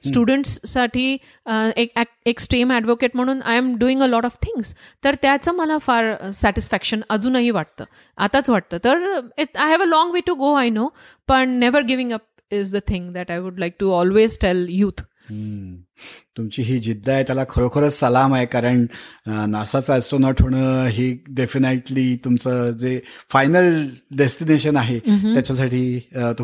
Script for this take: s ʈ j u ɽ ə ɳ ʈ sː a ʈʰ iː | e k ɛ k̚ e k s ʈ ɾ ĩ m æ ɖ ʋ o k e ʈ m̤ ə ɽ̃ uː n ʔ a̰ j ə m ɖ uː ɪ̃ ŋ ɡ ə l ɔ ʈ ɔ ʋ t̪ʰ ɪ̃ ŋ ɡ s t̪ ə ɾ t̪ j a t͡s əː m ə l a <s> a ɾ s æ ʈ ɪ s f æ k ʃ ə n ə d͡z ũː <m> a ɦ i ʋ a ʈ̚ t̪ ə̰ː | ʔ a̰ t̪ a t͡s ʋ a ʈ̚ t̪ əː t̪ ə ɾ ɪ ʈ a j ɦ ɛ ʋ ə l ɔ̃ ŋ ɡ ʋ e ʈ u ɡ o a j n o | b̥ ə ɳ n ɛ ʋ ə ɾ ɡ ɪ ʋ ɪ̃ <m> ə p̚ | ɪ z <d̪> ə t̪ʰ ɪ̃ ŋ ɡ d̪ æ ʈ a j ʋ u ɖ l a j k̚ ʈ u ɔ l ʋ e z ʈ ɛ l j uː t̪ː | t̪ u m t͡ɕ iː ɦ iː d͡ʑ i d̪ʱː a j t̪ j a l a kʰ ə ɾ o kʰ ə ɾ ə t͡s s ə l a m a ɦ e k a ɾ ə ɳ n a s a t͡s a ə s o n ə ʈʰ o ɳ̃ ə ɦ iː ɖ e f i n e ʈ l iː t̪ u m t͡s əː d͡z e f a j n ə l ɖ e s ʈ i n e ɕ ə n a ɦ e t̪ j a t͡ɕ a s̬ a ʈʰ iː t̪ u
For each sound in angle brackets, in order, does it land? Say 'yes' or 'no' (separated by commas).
no, no, no, yes